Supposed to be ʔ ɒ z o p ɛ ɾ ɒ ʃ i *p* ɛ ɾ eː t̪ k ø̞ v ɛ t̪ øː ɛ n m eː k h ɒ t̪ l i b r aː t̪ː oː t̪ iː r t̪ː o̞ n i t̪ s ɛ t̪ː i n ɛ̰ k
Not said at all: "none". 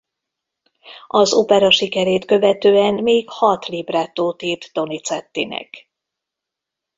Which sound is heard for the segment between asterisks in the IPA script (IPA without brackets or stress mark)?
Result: k